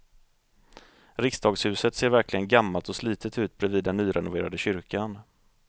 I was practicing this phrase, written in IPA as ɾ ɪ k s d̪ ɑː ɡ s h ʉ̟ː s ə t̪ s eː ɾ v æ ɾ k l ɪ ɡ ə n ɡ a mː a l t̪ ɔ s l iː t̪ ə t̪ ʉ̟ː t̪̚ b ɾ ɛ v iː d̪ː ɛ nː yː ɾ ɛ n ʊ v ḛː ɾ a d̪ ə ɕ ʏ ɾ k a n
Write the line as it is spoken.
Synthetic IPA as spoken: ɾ ɪ k s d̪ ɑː ɡ s h ʉ̟ː s ə t̪ s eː ɾ v æ ɾ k l ɪ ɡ ə n ɡ a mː a l t̪ ɔ s l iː t̪ ə t̪ ʉ̟ː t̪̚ b ɾ ɛ v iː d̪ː ɛ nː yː ɾ ɛ n ʊ v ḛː ɾ a d̪ ə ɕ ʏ ɾ k a n